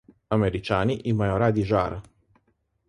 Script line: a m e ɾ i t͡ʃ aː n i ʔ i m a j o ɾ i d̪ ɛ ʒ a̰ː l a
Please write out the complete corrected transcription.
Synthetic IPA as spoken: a m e ɾ i t͡ʃ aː n i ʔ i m a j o ɾ a d̪ i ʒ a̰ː ɾ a